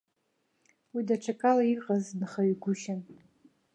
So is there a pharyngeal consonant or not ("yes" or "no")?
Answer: no